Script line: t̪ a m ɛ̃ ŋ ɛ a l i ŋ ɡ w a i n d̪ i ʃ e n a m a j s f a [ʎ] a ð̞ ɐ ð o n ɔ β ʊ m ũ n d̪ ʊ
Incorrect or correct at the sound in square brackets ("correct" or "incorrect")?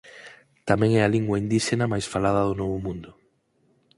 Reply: incorrect